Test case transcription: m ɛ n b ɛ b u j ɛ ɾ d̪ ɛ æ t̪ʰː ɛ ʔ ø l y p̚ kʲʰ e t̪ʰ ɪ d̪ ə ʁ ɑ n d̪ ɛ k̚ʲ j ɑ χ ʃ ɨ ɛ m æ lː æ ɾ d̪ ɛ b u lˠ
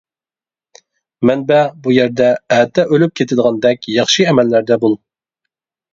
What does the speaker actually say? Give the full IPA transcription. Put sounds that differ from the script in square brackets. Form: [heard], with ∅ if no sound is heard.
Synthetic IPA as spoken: m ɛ n b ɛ b u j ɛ ɾ d̪ ɛ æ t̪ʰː ɛ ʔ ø l y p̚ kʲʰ e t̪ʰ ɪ d̪ ə ʁ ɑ n d̪ ɛ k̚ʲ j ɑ χ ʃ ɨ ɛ m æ lː æ ɾ d̪ ɛ b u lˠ